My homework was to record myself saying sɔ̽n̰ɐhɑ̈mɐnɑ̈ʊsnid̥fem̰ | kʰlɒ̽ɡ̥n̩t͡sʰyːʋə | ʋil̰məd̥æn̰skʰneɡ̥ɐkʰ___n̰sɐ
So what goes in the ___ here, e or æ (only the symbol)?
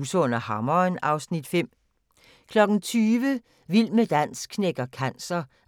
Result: æ